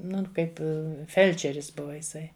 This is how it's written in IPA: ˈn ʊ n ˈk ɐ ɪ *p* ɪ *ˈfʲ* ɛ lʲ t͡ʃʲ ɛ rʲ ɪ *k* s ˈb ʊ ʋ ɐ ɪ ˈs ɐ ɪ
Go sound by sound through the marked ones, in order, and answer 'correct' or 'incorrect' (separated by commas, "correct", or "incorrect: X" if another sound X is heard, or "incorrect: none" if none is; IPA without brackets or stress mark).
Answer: correct, correct, incorrect: none